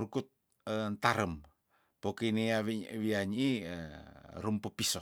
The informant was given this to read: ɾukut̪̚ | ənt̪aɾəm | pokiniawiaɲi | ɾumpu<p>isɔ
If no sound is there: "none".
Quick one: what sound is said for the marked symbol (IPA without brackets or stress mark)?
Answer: p